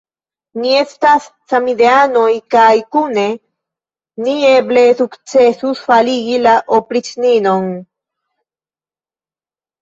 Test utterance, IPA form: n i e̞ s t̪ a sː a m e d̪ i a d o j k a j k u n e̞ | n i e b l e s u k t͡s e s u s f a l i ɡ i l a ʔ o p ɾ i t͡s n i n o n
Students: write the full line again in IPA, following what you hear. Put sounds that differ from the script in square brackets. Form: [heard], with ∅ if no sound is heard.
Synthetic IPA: n i e̞ s t̪ a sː a m [i] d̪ [e] a [n] o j k a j k u n e̞ | n i e b l e s u k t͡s e s u s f a l i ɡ i l a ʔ o p ɾ i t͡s n i n o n